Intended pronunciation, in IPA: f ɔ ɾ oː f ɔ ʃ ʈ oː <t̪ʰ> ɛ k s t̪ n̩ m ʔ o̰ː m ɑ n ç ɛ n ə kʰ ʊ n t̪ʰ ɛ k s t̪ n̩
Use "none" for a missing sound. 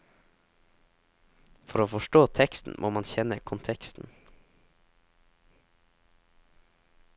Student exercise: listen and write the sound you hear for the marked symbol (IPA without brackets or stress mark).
t̪ʰ